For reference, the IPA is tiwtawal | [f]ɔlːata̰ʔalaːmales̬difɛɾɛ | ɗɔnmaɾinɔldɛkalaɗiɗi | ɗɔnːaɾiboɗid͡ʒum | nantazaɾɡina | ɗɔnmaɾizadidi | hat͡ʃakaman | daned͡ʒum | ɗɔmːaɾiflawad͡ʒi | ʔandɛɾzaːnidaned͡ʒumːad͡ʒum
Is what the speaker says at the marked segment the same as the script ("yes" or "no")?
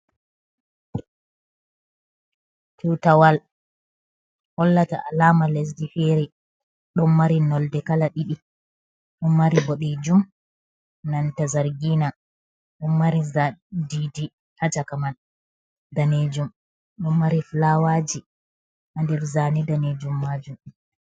no